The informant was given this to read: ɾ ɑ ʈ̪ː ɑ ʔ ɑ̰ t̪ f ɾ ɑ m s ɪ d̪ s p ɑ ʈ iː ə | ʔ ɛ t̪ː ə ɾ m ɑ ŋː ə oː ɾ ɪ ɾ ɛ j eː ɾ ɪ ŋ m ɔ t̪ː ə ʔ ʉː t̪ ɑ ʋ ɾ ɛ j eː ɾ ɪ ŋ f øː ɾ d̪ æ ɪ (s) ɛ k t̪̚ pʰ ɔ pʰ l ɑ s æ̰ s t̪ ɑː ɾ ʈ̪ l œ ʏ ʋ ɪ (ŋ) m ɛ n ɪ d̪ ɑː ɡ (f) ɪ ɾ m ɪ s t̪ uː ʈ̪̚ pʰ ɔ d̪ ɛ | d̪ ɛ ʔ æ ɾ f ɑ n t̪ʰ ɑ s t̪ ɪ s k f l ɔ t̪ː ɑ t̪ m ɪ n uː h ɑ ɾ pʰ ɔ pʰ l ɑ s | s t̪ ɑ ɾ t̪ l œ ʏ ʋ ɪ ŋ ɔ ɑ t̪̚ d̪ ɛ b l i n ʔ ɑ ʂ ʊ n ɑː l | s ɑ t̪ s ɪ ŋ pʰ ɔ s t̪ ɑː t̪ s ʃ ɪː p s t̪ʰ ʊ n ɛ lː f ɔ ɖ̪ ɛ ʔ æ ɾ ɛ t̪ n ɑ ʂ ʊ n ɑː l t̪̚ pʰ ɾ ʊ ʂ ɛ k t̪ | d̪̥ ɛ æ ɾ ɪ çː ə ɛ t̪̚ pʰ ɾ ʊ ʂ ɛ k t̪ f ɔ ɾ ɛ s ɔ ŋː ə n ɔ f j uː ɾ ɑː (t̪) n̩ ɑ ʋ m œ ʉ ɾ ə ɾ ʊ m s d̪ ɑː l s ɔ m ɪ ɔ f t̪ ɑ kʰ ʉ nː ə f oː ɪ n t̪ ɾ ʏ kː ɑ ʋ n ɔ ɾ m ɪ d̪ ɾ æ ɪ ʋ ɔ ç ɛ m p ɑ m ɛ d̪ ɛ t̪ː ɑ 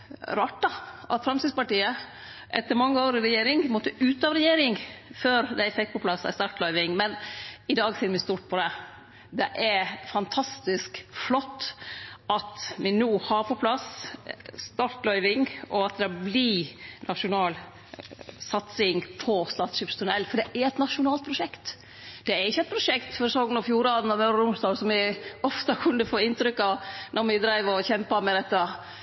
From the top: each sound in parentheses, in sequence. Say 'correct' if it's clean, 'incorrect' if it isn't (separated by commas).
incorrect, correct, incorrect, incorrect